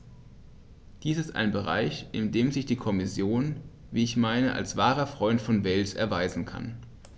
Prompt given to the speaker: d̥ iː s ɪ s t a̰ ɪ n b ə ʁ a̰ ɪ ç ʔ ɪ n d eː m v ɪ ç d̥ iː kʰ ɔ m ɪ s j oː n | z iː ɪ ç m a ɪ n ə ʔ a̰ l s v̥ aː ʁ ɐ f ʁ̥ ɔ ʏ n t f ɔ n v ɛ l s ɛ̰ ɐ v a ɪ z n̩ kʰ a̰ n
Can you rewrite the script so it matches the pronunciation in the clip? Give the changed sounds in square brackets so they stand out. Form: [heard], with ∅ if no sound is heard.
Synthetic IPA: d̥ iː s ɪ s t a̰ ɪ n b ə ʁ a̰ ɪ ç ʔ ɪ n d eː m [z] ɪ ç d̥ iː kʰ ɔ m ɪ s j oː n | [v] iː ɪ ç m a ɪ n ə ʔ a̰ l s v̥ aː ʁ ɐ f ʁ̥ ɔ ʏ n t f ɔ n v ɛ l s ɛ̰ ɐ v a ɪ z n̩ kʰ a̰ n